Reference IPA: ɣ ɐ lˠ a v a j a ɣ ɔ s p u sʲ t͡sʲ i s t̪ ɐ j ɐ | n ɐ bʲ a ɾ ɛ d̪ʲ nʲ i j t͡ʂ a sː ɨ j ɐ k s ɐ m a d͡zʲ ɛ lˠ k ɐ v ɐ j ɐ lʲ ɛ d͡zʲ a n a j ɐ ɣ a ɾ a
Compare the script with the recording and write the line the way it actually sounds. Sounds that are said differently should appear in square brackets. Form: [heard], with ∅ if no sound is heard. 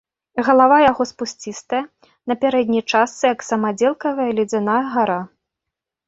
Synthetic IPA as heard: ɣ ɐ lˠ a v a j a ɣ ɔ s p u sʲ t͡sʲ i s t̪ ɐ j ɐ | n ɐ [pʲ] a ɾ ɛ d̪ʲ nʲ i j t͡ʂ a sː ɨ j ɐ k s ɐ m a d͡zʲ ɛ lˠ k ɐ v ɐ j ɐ lʲ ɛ d͡zʲ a n a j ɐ ɣ a ɾ a